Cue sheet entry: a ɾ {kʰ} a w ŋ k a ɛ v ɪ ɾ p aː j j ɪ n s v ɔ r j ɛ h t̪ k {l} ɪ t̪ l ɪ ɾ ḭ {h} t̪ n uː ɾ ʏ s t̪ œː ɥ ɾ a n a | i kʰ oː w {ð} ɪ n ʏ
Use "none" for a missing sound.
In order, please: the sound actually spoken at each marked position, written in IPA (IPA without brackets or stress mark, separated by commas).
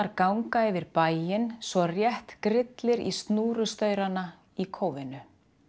k, ɾ, s, v